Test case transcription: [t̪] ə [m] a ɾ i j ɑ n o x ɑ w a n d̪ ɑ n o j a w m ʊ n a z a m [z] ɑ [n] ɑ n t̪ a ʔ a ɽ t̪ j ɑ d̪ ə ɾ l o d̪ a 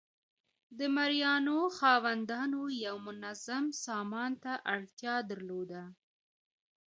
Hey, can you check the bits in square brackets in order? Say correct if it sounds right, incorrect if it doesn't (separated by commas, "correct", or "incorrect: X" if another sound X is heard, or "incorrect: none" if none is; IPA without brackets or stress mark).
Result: incorrect: d̪, correct, incorrect: s, incorrect: m